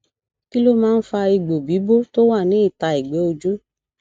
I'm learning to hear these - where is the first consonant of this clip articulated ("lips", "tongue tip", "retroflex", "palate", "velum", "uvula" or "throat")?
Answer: velum